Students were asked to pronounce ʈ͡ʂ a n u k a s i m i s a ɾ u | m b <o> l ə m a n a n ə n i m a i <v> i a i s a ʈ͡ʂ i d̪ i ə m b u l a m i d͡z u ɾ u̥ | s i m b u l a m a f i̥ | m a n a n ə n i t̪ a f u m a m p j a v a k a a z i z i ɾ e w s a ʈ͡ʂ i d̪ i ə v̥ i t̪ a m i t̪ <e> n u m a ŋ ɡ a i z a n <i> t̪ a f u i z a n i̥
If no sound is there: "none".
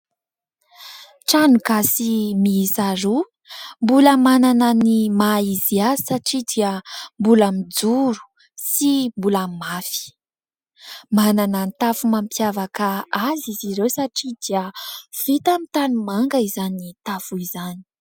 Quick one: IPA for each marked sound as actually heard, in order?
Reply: u, z, a, i

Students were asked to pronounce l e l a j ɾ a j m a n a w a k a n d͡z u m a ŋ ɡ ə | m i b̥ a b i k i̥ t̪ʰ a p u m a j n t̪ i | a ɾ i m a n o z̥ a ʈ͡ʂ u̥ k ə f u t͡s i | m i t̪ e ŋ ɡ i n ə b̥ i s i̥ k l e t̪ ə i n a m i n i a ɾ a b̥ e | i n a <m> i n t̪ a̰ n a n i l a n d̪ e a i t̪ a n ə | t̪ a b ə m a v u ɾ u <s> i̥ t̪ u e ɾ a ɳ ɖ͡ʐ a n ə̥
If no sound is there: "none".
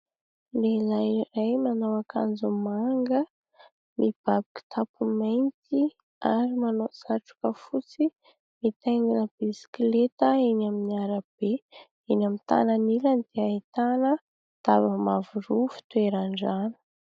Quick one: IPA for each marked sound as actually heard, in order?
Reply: m, f

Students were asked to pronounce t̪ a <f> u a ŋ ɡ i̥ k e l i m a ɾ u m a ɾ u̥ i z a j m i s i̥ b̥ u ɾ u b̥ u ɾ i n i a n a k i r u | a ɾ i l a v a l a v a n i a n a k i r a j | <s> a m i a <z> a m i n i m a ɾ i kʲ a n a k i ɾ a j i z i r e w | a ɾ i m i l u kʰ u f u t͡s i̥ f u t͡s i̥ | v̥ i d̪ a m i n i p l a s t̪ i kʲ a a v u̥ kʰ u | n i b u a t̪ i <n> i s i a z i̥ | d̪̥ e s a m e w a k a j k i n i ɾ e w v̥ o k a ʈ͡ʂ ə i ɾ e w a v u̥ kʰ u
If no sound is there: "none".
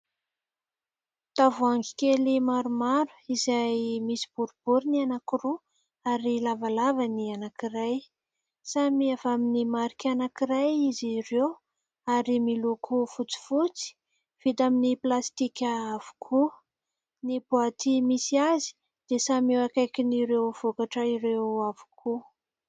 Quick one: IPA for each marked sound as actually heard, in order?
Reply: v, s, v, m

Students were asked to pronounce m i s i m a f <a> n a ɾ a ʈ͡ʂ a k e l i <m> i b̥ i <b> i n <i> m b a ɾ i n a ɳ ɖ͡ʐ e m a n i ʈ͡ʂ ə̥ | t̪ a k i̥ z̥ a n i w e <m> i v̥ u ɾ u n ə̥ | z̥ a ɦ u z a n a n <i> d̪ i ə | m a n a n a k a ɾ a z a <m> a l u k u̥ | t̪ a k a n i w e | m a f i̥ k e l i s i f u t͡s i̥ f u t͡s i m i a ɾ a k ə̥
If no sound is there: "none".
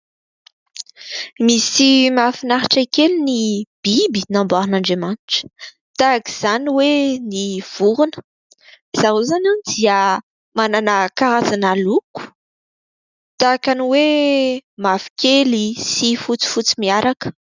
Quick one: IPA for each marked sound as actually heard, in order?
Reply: i, n, b, a, n, i, n

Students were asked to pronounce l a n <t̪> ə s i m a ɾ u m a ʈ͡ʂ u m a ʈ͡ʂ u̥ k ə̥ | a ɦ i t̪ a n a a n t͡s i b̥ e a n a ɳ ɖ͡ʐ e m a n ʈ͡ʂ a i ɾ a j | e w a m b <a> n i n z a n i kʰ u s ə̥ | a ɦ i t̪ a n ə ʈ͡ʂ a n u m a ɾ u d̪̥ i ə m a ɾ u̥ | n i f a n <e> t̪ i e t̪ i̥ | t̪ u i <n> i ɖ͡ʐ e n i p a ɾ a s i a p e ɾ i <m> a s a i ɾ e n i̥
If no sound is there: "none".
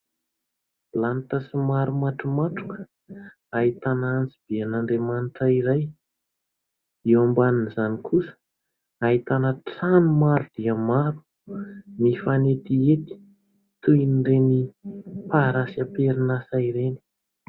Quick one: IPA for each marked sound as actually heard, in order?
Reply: t̪, a, e, n, n

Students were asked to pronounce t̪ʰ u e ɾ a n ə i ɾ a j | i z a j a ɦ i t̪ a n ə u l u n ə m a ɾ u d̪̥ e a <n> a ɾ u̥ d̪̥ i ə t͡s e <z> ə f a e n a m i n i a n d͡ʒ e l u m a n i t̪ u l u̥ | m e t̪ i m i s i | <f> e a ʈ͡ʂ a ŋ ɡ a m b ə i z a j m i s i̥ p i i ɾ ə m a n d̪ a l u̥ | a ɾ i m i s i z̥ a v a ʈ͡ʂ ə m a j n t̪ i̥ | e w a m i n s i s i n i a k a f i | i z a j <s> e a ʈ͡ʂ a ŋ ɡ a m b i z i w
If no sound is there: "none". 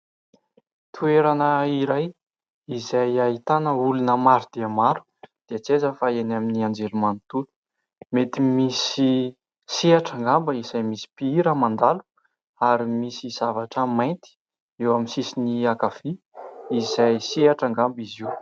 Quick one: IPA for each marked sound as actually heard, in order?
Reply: m, z, s, s

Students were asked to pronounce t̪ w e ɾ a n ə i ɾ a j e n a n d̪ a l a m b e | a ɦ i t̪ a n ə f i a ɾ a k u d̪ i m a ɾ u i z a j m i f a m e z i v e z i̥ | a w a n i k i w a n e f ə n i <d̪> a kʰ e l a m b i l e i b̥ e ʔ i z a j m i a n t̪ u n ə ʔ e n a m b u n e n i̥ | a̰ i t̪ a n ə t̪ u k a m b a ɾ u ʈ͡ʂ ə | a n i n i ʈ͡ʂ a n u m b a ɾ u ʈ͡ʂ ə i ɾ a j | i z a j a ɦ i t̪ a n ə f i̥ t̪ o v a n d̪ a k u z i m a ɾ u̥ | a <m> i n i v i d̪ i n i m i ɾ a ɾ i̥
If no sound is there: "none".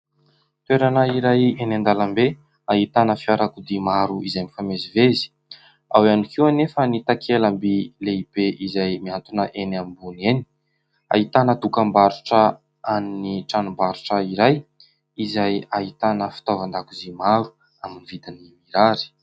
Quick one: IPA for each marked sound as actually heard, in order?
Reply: t̪, m

